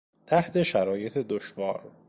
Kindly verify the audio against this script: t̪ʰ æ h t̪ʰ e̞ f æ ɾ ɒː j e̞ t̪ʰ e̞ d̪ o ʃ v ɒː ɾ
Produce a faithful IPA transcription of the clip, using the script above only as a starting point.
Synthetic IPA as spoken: t̪ʰ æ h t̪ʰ e̞ ʃ æ ɾ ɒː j e̞ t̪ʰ e̞ d̪ o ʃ v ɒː ɾ